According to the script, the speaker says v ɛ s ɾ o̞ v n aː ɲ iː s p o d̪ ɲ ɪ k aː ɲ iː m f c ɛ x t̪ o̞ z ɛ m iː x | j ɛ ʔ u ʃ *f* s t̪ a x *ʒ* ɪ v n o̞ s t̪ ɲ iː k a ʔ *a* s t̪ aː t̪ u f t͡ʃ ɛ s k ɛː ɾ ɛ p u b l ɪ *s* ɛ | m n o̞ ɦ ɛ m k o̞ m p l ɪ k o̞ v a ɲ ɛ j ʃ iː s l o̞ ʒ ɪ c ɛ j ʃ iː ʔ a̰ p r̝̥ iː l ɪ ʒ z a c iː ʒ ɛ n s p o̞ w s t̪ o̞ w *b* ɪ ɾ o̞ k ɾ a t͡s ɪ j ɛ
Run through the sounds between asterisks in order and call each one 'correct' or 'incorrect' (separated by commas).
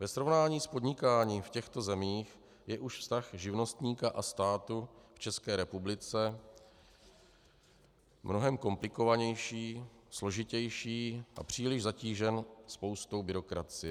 correct, correct, correct, incorrect, correct